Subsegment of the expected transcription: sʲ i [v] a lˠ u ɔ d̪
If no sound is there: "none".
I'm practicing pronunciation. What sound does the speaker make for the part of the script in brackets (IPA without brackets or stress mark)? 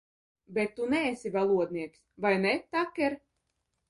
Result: v